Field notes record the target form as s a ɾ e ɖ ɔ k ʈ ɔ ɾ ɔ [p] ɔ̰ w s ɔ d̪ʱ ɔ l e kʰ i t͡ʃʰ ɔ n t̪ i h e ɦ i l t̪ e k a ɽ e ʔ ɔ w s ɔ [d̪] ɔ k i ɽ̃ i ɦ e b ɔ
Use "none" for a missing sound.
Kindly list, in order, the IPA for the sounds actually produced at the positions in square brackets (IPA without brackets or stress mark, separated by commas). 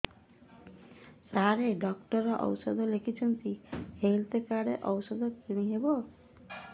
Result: ʔ, d̪